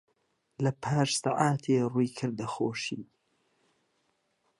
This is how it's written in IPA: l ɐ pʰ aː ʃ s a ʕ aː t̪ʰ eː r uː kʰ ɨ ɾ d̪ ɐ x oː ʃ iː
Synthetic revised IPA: l ɐ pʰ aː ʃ s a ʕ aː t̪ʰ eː r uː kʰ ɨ ɾ d̪ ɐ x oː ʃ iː

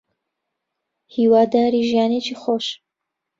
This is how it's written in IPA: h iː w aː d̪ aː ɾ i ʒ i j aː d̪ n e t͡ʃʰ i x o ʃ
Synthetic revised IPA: h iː w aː d̪ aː ɾ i ʒ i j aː n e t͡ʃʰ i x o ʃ

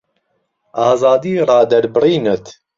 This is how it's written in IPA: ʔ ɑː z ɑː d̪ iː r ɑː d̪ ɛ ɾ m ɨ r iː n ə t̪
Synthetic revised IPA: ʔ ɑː z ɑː d̪ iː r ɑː d̪ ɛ ɾ b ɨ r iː n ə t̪

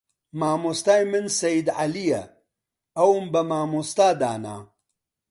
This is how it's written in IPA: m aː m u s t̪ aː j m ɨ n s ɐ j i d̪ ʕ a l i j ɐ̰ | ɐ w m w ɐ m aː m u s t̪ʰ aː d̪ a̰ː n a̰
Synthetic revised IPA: m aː m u s t̪ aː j m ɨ n s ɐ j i d̪ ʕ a l i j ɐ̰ | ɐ w m b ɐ m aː m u s t̪ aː d̪ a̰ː n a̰

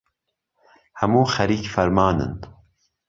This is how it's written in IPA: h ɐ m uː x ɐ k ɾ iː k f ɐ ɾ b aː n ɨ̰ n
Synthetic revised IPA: h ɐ m uː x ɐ ɾ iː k f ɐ ɾ m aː n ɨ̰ n

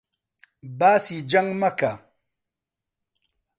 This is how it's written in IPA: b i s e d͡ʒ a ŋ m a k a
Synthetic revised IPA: b a s i d͡ʒ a ŋ m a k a

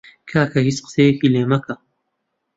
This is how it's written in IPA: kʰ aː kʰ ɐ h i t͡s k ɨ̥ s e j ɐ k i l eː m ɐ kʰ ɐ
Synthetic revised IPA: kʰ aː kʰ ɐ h i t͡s q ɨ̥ s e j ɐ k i l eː m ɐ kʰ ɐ

